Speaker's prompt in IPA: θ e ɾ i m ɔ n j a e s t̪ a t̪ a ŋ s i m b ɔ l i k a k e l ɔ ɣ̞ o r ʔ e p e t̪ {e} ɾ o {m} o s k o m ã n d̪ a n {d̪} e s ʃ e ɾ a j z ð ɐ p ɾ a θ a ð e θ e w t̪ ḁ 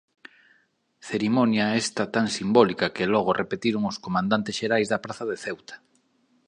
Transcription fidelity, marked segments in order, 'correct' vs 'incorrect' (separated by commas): incorrect, incorrect, incorrect